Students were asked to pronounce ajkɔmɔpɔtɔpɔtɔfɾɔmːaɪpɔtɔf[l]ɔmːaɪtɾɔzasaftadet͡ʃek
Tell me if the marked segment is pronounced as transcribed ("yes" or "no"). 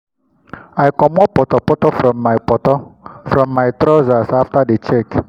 no